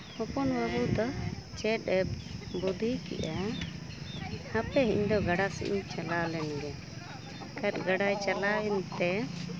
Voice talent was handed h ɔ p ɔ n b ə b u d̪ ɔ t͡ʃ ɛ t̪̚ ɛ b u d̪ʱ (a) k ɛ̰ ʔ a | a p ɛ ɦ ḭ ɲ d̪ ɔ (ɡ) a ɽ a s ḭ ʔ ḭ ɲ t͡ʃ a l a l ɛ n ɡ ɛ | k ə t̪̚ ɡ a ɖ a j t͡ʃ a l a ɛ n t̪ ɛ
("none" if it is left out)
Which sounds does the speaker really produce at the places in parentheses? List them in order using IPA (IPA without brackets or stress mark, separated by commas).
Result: i, ɡ